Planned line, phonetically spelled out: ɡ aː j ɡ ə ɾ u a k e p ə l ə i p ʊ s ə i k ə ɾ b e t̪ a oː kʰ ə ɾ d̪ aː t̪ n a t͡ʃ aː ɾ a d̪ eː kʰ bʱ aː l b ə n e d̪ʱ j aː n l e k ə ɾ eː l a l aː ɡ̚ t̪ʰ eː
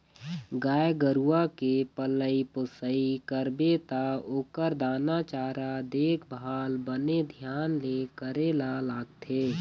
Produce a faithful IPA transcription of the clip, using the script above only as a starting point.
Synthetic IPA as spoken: ɡ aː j ɡ ə ɾ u a k e p ə l ə i p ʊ s ə i k ə ɾ b e t̪ a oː k ə ɾ d̪ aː n a t͡ʃ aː ɾ a d̪ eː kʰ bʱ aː l b ə n e d̪ʱ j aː n l e k ə ɾ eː l a l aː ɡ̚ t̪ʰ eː